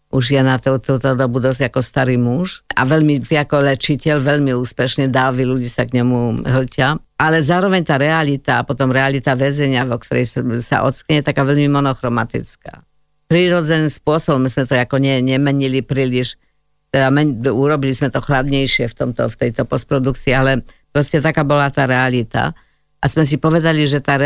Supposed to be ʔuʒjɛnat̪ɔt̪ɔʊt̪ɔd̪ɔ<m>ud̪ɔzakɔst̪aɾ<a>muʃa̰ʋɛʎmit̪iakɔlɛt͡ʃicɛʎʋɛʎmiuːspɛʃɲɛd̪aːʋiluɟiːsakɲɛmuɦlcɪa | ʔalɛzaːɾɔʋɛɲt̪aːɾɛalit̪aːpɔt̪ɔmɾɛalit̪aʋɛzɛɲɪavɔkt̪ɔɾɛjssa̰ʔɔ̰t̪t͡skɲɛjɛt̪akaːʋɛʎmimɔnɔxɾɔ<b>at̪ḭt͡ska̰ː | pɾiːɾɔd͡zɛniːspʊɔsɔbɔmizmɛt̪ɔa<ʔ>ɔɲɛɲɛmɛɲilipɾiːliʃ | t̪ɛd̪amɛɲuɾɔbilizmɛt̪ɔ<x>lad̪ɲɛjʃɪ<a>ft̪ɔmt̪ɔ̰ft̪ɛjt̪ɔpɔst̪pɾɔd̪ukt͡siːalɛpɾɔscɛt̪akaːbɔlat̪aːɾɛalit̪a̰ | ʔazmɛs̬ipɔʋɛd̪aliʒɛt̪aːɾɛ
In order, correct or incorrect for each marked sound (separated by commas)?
incorrect, incorrect, incorrect, incorrect, correct, incorrect